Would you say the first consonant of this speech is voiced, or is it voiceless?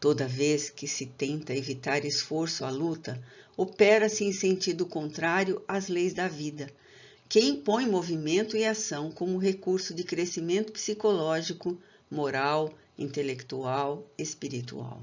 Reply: voiceless